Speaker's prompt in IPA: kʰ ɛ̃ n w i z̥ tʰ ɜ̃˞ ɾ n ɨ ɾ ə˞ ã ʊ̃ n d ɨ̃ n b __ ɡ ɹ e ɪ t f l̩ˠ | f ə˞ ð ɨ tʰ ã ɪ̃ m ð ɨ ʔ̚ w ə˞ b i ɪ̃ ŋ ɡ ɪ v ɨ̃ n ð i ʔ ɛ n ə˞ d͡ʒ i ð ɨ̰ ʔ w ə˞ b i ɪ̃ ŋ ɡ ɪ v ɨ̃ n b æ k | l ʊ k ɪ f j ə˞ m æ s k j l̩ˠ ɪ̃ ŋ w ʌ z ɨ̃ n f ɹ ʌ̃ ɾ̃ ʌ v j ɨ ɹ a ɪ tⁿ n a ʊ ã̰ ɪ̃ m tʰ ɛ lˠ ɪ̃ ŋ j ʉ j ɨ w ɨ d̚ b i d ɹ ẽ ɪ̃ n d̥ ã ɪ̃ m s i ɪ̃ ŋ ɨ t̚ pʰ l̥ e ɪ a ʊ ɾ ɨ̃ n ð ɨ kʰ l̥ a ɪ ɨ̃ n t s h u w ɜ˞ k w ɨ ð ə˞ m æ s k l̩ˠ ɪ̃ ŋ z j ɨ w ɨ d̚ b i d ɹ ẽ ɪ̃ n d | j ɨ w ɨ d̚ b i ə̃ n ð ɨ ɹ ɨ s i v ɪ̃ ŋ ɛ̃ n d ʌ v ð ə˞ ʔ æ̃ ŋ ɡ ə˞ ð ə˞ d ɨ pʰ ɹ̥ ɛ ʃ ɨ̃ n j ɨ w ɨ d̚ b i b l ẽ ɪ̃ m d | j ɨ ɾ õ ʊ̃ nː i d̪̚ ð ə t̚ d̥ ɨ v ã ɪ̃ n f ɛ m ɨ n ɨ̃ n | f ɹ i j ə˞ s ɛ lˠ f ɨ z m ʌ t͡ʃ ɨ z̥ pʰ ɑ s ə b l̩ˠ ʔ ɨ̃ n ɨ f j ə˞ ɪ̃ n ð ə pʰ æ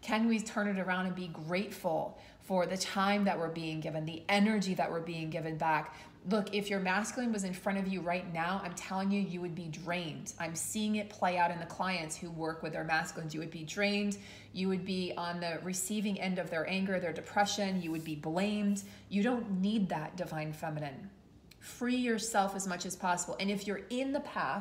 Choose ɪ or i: i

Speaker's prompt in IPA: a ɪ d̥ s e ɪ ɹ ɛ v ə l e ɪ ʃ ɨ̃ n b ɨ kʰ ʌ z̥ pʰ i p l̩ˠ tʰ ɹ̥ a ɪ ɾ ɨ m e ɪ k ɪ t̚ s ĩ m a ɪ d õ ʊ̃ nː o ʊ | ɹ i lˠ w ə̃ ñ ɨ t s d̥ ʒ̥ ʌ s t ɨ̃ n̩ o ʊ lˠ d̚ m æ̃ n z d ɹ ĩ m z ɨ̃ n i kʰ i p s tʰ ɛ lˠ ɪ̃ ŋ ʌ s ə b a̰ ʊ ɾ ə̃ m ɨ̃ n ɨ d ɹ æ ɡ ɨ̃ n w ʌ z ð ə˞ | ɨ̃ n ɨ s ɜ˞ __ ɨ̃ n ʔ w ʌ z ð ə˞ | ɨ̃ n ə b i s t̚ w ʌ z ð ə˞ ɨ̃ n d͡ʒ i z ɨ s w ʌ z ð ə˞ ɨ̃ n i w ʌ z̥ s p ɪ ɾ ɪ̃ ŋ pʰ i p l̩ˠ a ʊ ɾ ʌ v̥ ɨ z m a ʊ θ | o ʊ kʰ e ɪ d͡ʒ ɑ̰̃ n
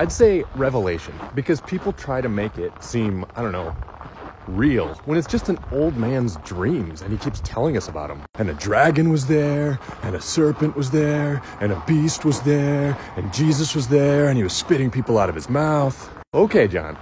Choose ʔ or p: p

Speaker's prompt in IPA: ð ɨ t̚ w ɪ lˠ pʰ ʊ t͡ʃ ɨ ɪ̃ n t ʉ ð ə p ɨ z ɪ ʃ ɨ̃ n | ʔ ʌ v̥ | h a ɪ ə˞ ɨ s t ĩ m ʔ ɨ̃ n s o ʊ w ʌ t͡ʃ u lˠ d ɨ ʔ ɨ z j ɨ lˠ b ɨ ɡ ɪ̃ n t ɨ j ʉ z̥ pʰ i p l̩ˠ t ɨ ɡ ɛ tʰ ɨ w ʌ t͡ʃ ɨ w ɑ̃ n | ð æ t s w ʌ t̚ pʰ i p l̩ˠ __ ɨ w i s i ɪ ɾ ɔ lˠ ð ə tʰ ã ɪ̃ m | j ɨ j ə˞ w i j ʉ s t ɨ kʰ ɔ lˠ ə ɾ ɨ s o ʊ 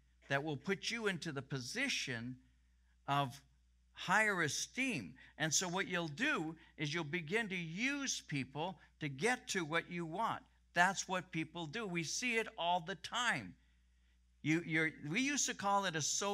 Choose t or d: d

